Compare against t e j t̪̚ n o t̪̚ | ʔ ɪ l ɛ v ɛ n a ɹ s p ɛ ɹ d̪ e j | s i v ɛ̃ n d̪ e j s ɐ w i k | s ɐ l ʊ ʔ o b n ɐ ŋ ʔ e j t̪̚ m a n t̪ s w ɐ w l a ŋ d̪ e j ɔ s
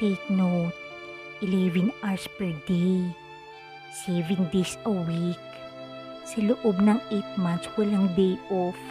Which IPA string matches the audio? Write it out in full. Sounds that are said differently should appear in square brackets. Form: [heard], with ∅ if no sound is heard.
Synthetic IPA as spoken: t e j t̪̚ n o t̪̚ | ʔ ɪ l ɛ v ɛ n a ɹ s p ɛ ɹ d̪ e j | s [ɛ] v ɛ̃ n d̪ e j s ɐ w i k | s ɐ l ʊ ʔ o b n ɐ ŋ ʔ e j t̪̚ m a n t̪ s w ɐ [∅] l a ŋ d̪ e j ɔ [f]